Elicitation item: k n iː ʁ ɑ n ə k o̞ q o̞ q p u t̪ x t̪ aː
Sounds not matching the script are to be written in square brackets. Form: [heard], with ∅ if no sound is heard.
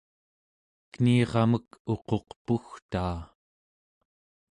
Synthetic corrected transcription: k n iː ʁ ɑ [m] ə k o̞ q o̞ q p u [∅] x t̪ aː